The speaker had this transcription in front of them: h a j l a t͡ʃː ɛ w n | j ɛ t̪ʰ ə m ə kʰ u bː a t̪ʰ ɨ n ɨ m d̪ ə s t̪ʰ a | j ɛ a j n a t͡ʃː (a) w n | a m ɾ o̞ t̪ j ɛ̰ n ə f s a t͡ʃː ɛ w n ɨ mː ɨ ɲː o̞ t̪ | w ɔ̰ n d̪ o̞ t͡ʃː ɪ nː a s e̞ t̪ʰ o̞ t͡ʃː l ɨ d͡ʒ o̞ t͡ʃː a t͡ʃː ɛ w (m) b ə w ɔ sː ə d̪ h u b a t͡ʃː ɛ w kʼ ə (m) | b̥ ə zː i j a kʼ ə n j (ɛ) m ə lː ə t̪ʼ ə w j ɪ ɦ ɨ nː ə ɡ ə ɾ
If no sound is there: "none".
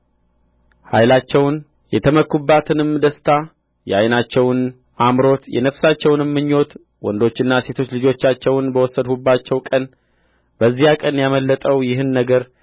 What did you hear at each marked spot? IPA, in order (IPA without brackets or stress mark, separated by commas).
ɛ, n, n, a